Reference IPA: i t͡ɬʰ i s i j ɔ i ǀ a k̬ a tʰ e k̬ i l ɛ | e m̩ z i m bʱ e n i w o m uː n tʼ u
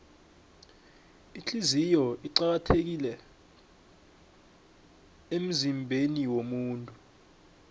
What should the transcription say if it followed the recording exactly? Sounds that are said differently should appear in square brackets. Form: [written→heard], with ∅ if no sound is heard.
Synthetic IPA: i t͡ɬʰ i [s→z] i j ɔ i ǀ a k̬ a tʰ e k̬ i l ɛ | e m̩ z i m bʱ e n i w o m uː n tʼ u